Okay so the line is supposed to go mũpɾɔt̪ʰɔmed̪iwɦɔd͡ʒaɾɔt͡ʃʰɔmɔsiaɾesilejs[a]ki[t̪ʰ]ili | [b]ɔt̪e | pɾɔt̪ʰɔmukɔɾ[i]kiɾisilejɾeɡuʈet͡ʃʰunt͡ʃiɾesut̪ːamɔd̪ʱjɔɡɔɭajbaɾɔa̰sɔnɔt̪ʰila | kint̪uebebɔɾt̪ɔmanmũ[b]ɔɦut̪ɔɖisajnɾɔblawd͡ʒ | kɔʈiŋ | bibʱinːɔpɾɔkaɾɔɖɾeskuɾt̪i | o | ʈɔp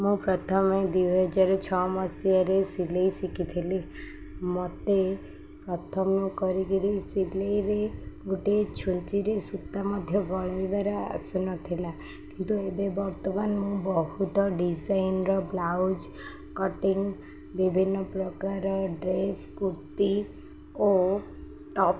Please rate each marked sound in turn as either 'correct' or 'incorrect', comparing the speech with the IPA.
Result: incorrect: i, correct, incorrect: m, correct, correct

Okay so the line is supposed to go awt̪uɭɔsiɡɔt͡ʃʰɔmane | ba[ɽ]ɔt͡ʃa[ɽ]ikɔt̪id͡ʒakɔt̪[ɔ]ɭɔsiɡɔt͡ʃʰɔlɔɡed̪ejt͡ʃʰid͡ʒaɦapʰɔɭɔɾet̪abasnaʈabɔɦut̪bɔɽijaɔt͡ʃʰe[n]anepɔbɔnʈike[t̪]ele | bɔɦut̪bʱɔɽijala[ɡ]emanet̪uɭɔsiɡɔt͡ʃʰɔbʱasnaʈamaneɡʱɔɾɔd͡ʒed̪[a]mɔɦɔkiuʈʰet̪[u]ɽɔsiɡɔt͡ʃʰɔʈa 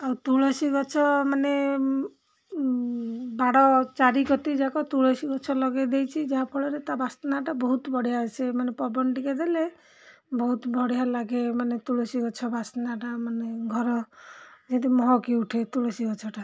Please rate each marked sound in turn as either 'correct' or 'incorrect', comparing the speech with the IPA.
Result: correct, incorrect: ɾ, incorrect: u, incorrect: m, incorrect: d̪, correct, incorrect: i, correct

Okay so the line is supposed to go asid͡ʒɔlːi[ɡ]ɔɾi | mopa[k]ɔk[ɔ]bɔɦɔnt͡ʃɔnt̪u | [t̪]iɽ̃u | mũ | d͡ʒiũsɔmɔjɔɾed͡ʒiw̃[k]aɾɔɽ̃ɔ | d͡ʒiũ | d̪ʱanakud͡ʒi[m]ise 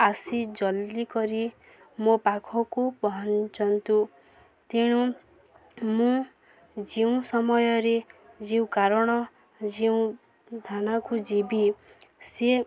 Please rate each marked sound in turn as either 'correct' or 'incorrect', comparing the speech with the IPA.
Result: incorrect: k, incorrect: kʰ, incorrect: u, correct, correct, incorrect: b

